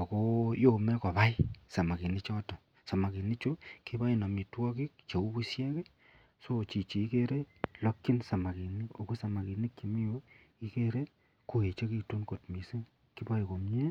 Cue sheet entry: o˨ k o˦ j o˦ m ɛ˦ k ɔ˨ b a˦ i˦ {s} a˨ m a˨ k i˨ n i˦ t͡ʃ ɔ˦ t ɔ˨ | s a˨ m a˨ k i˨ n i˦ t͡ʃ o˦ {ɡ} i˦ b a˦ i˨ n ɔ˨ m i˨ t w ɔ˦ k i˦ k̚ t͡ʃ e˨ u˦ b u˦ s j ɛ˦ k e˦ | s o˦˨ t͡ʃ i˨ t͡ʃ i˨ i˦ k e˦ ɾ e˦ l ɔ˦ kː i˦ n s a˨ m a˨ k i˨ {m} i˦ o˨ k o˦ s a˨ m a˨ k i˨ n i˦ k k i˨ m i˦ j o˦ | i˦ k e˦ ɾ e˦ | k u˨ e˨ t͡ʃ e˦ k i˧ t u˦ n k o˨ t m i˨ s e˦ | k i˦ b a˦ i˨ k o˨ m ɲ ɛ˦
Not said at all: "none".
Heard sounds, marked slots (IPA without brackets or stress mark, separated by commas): s, k, n